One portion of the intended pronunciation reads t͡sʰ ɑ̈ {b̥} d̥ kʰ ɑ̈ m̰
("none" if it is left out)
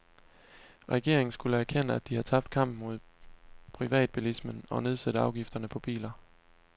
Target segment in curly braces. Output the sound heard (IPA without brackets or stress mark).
b̥